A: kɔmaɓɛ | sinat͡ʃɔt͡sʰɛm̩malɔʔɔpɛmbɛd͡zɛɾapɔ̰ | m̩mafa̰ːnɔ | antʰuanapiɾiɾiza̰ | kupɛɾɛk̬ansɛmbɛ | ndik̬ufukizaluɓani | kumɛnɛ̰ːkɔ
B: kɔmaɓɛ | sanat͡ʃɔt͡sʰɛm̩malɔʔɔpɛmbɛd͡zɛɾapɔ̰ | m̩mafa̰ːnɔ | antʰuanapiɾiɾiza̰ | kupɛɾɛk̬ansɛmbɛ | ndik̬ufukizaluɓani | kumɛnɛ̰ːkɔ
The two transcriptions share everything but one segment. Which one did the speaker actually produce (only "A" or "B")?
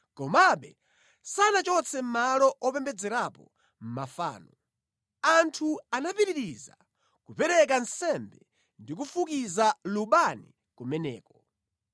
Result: B